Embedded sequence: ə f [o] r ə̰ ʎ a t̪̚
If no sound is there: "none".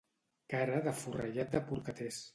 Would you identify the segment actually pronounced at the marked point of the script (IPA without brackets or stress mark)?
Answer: u